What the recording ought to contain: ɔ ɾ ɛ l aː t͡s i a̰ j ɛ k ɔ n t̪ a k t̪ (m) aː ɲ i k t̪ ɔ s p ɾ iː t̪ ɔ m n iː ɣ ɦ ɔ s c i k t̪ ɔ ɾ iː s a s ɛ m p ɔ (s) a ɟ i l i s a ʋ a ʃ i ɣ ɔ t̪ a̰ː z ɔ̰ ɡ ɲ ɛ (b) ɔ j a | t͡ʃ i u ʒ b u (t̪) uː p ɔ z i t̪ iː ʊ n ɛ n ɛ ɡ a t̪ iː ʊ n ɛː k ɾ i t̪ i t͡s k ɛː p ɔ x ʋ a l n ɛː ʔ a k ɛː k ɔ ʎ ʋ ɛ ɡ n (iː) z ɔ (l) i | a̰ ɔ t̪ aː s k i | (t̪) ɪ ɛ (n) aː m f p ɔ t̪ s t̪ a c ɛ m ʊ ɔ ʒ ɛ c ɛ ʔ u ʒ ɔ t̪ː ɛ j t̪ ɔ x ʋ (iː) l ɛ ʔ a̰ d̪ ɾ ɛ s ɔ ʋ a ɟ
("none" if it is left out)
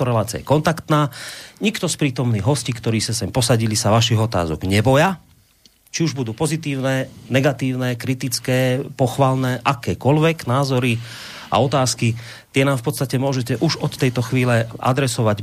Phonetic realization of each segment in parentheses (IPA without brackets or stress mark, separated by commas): n, s, b, d̪, aː, ɾ, t̪, n, iː